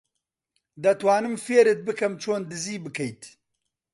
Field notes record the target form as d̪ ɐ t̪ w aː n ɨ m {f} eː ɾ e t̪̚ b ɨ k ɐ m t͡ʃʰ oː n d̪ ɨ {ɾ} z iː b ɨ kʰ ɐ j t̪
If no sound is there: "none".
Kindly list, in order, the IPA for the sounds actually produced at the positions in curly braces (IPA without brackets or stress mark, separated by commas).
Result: f, none